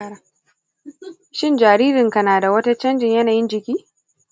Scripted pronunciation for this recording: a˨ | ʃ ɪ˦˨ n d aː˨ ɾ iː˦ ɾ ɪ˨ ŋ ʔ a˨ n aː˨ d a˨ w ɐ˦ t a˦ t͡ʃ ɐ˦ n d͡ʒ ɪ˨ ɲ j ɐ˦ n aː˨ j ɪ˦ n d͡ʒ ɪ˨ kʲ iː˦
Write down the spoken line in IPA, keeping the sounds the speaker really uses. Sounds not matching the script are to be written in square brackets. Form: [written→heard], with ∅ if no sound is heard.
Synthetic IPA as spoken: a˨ | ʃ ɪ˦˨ n [d→d͡ʒ] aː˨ ɾ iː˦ ɾ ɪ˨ ŋ [ʔ→k] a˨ n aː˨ d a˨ w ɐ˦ t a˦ t͡ʃ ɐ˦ n d͡ʒ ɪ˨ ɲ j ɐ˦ n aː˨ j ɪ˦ n d͡ʒ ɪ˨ kʲ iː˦